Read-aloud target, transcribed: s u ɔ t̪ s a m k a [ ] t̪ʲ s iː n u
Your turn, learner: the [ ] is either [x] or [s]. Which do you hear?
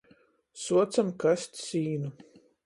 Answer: s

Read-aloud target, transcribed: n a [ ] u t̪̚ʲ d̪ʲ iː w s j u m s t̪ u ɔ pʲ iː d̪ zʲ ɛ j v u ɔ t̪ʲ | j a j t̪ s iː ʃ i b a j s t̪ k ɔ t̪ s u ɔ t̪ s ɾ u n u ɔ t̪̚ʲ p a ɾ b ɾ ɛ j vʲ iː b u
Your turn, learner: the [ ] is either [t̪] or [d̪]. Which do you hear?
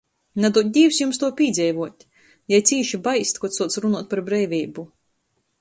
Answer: d̪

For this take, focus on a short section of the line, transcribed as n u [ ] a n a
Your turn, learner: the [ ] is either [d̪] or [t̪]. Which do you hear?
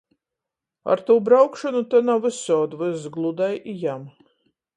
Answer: t̪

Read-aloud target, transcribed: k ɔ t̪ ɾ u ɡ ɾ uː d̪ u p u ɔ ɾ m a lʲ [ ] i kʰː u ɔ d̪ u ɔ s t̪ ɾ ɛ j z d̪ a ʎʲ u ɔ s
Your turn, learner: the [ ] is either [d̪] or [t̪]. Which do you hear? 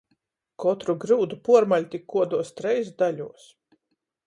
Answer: t̪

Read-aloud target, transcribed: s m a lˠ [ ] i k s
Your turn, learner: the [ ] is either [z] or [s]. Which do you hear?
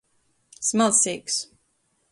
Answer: s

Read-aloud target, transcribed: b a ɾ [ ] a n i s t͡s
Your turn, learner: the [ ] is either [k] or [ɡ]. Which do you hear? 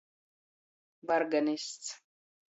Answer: ɡ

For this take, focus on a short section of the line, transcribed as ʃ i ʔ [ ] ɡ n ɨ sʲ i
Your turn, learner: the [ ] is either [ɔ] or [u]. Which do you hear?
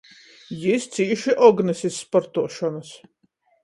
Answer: ɔ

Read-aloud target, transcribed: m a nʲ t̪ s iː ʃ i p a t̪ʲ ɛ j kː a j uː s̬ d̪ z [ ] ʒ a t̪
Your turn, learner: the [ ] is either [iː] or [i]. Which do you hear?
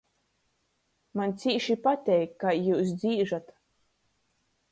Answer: iː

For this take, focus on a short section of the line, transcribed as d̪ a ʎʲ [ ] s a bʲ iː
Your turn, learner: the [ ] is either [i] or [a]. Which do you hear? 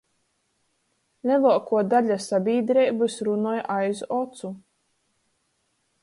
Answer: a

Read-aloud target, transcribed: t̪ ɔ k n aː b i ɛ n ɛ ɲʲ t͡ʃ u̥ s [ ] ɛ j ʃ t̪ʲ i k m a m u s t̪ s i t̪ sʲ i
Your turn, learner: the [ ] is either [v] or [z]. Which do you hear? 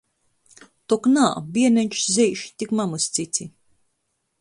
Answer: z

